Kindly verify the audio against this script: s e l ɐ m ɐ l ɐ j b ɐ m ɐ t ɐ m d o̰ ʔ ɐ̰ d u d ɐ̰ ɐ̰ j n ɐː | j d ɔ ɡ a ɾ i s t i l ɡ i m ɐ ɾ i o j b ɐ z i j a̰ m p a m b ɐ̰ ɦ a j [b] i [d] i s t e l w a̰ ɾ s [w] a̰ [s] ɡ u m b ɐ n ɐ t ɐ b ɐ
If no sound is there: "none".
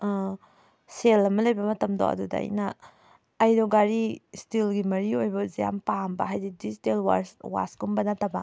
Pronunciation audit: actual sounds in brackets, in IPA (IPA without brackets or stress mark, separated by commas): d, d, w, s